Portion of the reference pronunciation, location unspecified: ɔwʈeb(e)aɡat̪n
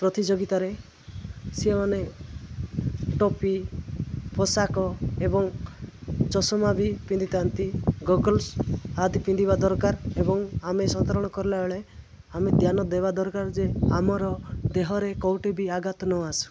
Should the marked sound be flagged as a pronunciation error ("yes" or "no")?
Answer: yes